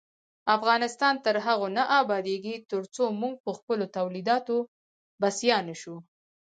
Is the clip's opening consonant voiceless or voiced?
voiceless